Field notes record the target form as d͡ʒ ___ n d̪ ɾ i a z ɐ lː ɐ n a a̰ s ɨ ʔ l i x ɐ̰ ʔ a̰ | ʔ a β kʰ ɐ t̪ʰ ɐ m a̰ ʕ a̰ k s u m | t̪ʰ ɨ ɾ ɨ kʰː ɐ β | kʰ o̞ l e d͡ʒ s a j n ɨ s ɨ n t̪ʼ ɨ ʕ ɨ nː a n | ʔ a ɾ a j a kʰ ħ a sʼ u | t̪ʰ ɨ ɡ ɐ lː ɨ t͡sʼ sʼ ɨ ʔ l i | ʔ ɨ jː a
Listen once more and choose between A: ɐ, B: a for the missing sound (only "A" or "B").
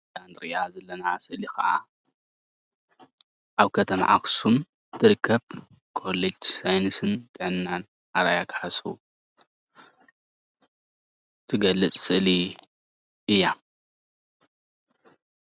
B